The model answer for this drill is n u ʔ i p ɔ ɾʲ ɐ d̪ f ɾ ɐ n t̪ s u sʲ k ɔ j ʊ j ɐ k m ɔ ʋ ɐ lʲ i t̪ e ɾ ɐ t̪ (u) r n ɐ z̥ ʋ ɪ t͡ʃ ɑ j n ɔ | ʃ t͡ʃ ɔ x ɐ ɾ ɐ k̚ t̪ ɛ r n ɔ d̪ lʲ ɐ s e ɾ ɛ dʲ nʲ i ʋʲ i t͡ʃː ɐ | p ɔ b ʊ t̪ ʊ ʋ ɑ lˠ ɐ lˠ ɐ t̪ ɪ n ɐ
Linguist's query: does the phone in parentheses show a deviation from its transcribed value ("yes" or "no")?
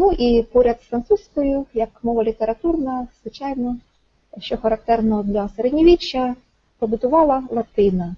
no